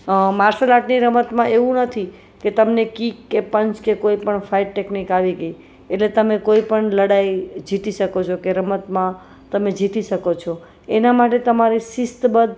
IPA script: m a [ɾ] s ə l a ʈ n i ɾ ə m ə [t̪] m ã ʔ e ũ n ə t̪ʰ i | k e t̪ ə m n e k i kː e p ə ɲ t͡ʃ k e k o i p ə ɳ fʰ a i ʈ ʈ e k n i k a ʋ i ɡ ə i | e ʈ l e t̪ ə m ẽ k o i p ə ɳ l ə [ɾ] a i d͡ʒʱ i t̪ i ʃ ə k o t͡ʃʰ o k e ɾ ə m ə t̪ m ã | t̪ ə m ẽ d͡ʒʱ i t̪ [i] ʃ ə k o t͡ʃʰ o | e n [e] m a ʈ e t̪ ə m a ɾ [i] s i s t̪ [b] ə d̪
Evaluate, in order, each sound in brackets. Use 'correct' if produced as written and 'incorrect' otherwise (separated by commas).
correct, correct, incorrect, correct, incorrect, correct, correct